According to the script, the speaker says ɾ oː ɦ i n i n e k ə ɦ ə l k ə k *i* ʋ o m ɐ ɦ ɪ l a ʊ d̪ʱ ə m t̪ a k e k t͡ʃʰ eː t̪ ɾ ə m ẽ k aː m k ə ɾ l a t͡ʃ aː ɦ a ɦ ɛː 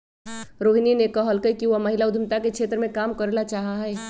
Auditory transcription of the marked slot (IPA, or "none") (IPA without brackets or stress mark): i